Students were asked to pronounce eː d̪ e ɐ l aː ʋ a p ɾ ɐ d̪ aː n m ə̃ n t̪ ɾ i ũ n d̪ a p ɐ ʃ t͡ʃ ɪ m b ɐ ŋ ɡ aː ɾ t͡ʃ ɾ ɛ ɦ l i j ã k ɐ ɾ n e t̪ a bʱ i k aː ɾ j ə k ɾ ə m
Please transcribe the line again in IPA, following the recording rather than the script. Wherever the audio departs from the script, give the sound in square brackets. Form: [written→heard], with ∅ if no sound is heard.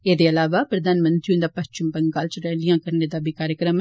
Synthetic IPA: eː d̪ e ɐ l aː ʋ a p ɾ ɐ d̪ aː n m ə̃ n t̪ ɾ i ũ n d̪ a p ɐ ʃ t͡ʃ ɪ m b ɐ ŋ ɡ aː [ɾ→l] t͡ʃ ɾ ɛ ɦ l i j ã k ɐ ɾ n e [t̪→d̪] a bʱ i k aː ɾ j ə k ɾ ə m